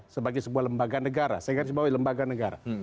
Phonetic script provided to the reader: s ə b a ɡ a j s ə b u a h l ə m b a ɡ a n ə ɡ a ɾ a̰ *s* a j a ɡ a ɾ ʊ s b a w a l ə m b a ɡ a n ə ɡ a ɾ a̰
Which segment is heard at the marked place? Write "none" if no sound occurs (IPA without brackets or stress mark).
s